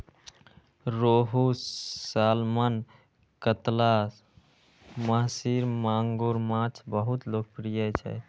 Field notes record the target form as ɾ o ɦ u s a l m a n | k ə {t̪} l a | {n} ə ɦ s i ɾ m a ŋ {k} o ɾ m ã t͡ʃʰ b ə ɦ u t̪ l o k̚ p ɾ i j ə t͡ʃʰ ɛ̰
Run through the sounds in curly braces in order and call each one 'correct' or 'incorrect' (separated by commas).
correct, incorrect, incorrect